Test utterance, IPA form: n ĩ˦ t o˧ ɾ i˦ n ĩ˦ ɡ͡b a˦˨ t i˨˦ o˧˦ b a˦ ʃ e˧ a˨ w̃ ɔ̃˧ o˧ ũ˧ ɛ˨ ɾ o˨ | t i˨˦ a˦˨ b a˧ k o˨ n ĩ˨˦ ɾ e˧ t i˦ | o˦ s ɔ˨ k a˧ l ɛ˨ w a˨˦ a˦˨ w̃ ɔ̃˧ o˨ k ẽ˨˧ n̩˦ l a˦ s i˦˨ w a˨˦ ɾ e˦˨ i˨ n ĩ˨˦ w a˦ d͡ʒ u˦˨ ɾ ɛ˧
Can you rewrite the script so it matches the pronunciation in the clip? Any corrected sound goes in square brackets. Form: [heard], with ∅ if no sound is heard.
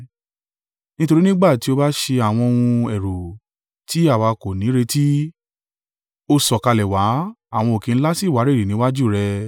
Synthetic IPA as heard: n ĩ˦ t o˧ ɾ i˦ n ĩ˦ ɡ͡b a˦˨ t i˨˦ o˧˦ b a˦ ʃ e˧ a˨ w̃ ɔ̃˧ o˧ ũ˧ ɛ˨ ɾ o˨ | t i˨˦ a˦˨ [w] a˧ k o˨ n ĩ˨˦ ɾ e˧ t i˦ | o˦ s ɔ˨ k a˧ l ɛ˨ w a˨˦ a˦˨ w̃ ɔ̃˧ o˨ k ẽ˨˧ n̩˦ l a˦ s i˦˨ w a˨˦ ɾ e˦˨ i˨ n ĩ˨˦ w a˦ d͡ʒ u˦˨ ɾ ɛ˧